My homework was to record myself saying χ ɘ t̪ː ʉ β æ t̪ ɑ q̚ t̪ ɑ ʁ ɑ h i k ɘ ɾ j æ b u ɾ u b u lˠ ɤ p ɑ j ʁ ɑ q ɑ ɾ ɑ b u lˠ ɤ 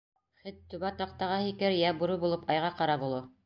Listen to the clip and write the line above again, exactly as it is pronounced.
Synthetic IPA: χ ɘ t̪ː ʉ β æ t̪ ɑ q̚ t̪ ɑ ʁ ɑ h i k ɘ ɾ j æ b u ɾ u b u lˠ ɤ p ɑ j ʁ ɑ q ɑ ɾ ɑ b u lˠ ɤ